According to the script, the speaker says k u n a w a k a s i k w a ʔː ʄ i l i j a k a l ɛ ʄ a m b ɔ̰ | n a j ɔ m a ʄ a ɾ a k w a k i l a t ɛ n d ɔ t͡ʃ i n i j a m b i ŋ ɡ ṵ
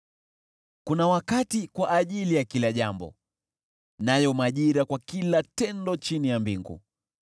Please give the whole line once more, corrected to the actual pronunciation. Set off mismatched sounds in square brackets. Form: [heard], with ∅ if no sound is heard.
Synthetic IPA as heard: k u n a w a k a [t] i k w a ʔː ʄ i l i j a k [i] l [a] ʄ a m b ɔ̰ | n a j ɔ m a ʄ [i] ɾ a k w a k i l a t ɛ n d ɔ t͡ʃ i n i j a m b i ŋ ɡ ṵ